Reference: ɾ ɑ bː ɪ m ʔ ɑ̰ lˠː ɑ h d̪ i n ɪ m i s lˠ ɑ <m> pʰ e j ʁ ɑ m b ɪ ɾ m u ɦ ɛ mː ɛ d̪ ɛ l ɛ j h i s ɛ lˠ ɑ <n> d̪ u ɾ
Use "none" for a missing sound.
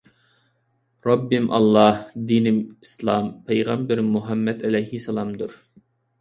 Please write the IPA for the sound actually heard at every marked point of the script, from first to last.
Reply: m, m

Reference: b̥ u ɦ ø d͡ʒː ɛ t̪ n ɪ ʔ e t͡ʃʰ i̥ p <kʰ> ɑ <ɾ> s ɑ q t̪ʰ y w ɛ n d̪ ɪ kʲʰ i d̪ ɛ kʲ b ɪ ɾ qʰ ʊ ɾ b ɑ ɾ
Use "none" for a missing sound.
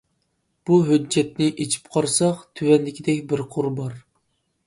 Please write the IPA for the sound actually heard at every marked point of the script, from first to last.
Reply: qʰ, ɾ

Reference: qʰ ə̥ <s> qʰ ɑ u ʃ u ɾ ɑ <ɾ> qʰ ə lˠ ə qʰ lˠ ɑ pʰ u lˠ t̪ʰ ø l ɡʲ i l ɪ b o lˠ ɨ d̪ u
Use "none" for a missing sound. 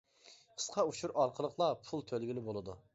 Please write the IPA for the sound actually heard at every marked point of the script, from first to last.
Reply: s, ɾ

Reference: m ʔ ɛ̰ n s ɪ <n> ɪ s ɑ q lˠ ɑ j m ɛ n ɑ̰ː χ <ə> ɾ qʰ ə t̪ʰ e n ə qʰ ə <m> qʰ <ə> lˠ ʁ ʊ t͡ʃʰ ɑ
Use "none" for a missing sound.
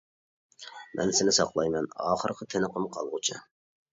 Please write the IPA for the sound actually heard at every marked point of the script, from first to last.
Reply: n, ə, m, ɑ

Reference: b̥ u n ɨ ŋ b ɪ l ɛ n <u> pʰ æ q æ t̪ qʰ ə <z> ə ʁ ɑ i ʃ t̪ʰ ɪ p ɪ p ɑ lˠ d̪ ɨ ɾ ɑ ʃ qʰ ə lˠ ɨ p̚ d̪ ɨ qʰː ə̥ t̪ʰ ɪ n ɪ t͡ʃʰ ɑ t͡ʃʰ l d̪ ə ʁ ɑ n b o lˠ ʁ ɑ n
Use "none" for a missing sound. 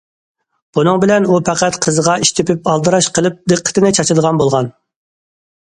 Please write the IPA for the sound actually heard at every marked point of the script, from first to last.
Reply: u, z

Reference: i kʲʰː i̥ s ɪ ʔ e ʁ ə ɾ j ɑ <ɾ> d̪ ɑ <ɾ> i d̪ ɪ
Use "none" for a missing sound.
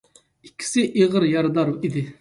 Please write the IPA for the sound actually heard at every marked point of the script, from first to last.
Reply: ɾ, ɾ

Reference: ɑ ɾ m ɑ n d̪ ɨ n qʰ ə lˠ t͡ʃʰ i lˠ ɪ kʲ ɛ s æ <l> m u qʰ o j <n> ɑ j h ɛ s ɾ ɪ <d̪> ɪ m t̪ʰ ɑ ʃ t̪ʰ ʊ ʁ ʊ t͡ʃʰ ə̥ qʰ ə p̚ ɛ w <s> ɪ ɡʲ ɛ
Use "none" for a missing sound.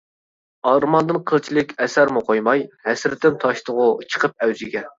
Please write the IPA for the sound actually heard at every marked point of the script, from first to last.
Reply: ɾ, m, t̪, z

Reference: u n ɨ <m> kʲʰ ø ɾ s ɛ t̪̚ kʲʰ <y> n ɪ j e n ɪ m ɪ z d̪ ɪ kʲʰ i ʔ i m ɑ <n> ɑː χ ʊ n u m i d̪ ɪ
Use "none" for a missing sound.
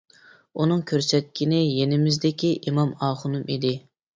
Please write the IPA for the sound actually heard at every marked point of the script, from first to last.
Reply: ŋ, i, m

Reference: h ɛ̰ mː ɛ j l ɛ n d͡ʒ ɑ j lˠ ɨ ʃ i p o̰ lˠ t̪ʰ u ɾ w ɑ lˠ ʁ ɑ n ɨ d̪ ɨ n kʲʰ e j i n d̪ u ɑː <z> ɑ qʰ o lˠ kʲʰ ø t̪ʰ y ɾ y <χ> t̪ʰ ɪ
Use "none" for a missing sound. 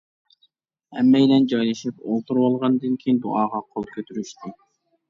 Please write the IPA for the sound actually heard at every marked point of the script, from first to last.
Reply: ʁ, ʃ

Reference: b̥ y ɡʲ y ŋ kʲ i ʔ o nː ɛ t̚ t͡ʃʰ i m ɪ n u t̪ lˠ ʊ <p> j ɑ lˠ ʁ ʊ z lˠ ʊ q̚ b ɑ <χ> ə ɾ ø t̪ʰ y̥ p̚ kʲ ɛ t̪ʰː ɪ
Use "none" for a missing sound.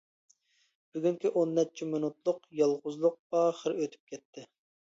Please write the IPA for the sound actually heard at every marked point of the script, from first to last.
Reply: q, χ

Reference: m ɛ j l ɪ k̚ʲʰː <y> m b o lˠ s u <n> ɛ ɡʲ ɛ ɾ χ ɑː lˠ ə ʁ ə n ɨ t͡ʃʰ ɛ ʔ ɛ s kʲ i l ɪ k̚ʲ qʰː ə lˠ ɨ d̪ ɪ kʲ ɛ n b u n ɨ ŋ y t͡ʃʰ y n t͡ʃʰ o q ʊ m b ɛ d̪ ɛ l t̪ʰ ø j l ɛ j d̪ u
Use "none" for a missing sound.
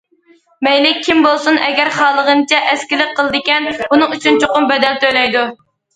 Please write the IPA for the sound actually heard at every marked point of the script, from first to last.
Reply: i, n

